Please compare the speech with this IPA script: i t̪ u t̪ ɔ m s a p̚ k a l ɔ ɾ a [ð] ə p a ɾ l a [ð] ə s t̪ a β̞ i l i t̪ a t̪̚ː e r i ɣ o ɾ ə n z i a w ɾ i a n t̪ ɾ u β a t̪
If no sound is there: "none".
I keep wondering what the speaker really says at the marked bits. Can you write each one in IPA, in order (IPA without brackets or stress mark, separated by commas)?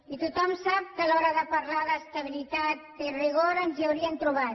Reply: ð, ð